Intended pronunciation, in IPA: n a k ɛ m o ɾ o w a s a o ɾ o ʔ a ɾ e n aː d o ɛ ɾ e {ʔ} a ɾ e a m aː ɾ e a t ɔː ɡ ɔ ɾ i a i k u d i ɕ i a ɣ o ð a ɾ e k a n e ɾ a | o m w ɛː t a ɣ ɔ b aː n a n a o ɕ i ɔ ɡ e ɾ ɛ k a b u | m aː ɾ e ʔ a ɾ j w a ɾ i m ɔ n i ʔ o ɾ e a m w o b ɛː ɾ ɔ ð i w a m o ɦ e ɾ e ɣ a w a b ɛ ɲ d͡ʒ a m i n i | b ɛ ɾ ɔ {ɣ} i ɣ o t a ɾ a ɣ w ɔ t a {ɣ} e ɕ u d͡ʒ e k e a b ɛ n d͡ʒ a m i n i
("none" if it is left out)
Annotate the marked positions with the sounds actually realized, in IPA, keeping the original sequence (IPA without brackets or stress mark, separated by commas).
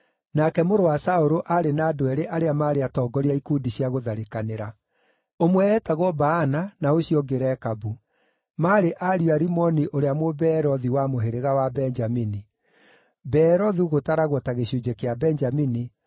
ʔ, ð, ɣ